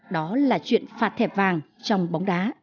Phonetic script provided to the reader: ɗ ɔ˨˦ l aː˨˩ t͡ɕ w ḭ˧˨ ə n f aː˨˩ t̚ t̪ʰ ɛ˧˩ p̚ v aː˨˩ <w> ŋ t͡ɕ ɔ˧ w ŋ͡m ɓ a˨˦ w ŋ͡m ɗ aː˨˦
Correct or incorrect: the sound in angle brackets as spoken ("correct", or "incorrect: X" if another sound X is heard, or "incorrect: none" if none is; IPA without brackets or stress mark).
incorrect: none